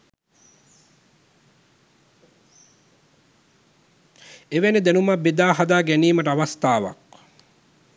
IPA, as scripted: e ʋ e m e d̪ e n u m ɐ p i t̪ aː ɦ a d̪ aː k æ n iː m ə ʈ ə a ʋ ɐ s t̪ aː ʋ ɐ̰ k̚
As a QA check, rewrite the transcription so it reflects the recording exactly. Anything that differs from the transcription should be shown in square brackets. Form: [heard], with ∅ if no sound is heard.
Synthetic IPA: e ʋ e [n] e d̪ e n u m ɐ [b] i [d̪] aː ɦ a d̪ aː [ɡ] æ n iː m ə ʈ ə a ʋ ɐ s t̪ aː ʋ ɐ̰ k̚